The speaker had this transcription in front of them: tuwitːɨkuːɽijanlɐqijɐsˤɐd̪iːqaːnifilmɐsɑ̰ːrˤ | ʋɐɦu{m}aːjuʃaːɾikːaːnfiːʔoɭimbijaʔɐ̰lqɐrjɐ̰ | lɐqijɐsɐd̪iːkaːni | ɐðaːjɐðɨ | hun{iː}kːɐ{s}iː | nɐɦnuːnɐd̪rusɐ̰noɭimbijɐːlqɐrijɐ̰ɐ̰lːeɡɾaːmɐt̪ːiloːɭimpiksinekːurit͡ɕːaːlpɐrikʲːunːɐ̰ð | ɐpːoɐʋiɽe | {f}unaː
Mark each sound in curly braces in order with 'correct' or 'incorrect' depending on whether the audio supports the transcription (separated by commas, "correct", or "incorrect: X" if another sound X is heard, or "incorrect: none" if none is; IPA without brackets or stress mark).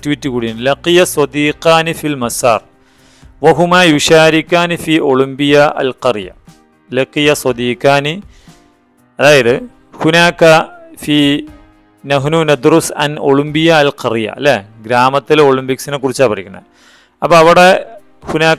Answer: correct, incorrect: aː, incorrect: f, incorrect: h